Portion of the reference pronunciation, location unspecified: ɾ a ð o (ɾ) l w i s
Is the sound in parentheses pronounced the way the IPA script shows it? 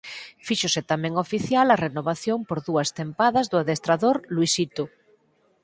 yes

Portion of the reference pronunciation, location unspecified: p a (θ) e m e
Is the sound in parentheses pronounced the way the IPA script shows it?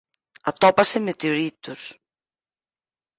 no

